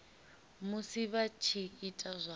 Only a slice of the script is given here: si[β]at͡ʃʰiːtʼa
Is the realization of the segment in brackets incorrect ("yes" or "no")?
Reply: no